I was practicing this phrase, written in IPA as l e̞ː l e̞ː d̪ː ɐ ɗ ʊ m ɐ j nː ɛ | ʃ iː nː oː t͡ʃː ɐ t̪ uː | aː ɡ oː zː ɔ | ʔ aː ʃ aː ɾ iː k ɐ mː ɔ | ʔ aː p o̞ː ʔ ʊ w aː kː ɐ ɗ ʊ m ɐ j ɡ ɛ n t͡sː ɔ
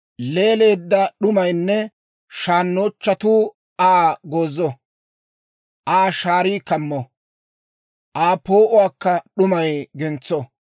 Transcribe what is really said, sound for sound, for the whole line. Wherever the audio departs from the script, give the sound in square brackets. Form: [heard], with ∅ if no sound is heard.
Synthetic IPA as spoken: l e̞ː l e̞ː d̪ː ɐ ɗ ʊ m ɐ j nː ɛ | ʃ [aː] nː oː t͡ʃː ɐ t̪ uː | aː ɡ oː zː ɔ | ʔ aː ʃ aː ɾ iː k ɐ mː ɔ | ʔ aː p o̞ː ʔ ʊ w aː kː ɐ ɗ ʊ m ɐ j ɡ ɛ n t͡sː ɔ